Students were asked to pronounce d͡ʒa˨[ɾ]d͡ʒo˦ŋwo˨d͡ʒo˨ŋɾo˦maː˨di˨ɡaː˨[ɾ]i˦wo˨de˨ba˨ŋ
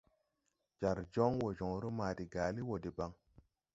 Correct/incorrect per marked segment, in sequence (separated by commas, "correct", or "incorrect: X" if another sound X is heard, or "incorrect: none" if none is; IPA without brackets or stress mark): correct, incorrect: l